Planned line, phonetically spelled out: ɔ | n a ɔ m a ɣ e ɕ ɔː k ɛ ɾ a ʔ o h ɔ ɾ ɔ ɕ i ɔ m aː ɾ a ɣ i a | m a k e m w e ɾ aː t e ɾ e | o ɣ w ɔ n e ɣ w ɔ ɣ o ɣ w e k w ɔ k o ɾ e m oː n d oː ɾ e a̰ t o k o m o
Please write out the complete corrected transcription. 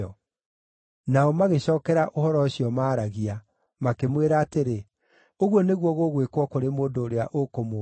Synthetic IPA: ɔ | n a ɔ m a ɣ e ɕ ɔː k ɛ ɾ a ʔ o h ɔ ɾ ɔ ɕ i ɔ m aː ɾ a ɣ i a | m a k e m w e ɾ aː t e ɾ e | o ɣ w ɔ n e ɣ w ɔ ɣ o ɣ w e k w ɔ k o ɾ e m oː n d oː ɾ e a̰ ʔ o k o m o